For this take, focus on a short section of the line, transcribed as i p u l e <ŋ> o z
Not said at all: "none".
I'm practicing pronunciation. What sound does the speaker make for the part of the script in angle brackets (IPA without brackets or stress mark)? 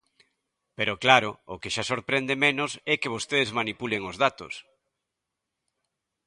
ŋ